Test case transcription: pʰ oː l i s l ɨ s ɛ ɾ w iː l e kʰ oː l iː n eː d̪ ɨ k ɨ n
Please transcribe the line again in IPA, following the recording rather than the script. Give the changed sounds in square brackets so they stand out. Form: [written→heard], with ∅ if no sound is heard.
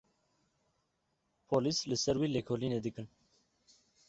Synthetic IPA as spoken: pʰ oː l i s l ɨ s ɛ ɾ w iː l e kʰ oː l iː n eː d̪ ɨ k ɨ n